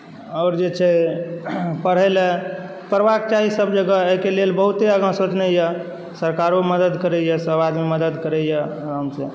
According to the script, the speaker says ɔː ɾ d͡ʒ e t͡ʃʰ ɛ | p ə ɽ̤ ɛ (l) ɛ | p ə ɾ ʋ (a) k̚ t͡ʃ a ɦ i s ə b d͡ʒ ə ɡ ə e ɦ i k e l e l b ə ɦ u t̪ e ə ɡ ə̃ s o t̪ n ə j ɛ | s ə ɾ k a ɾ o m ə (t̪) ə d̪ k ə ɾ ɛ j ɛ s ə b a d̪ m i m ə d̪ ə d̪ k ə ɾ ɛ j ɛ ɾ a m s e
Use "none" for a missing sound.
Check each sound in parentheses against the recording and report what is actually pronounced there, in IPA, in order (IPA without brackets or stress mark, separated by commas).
l, a, d̪